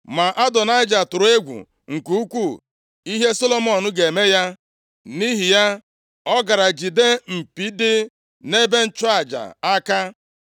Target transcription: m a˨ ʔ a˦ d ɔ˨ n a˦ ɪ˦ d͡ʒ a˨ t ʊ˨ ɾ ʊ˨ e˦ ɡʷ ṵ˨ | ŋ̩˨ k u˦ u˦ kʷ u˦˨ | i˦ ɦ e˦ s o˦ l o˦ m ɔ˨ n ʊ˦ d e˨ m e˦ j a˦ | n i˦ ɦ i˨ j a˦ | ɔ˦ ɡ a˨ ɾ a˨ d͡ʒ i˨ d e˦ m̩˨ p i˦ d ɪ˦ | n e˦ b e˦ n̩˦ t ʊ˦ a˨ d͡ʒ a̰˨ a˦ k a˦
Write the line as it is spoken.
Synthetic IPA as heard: m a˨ ʔ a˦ d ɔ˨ n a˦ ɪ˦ d͡ʒ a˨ t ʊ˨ ɾ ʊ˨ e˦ ɡʷ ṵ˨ | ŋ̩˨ k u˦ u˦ kʷ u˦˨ | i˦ ɦ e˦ s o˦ l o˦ m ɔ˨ n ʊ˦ ɡ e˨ m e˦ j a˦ | n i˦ ɦ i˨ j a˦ | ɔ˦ ɡ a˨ ɾ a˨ d͡ʒ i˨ d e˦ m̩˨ p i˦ d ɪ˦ | n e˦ b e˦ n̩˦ t͡ʃ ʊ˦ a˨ d͡ʒ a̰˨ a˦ k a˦